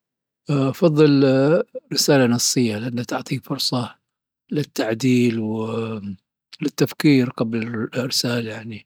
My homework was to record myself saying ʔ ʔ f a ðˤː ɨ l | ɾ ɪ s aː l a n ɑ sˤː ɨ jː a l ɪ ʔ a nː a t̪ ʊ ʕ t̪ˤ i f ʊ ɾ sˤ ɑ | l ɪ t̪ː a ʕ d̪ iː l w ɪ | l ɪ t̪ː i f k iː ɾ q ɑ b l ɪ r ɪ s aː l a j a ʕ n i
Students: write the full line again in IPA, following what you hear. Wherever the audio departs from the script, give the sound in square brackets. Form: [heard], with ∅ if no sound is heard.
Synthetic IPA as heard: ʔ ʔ f [ɑ] ðˤː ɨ l | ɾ ɪ s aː l a n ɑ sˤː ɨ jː a l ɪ ʔ a nː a t̪ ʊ ʕ t̪ˤ i f ʊ ɾ sˤ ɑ | l ɪ t̪ː a ʕ d̪ iː l w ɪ | l ɪ t̪ː [a] f k iː ɾ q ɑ b l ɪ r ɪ s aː l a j a ʕ n i